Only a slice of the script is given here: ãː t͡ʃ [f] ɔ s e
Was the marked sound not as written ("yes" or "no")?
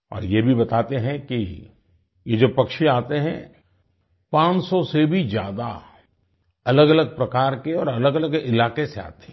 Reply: yes